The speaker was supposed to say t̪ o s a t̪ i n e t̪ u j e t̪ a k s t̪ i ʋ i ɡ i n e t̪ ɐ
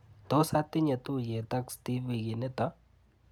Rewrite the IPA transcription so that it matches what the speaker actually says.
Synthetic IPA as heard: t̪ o s a t̪ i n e t̪ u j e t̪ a k s t̪ i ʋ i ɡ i n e t̪ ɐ